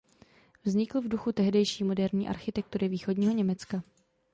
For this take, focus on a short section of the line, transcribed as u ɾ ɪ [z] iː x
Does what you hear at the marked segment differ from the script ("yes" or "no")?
yes